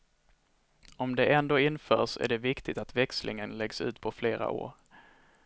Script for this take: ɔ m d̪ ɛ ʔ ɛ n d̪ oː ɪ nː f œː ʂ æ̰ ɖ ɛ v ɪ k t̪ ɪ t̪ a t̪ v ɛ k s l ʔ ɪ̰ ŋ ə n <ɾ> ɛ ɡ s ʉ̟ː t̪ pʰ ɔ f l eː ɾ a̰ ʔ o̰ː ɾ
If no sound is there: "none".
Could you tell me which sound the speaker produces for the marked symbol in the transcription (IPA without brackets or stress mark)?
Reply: l